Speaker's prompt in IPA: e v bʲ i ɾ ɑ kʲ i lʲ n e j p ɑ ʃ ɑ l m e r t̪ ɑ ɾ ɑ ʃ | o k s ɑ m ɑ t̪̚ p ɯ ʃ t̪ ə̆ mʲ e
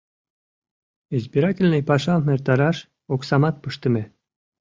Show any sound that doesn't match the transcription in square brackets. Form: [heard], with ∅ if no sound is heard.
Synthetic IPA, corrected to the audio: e [z] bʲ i ɾ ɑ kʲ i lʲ n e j p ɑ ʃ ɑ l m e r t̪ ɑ ɾ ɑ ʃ | o k s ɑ m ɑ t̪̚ p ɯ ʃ t̪ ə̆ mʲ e